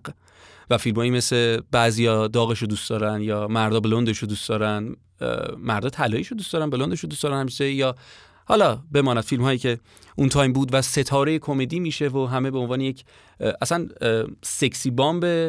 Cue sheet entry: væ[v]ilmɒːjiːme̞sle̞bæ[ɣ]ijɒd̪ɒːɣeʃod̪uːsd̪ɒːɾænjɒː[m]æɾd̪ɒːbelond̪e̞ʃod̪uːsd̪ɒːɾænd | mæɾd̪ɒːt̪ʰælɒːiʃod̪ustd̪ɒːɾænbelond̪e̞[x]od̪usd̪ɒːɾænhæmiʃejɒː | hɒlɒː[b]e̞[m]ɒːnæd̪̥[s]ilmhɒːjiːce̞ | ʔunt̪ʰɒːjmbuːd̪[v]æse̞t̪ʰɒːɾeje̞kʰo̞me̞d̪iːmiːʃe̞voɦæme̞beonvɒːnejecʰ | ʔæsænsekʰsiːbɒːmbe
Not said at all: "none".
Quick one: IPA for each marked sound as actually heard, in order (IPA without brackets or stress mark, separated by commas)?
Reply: f, z, m, ʃ, b, m, f, v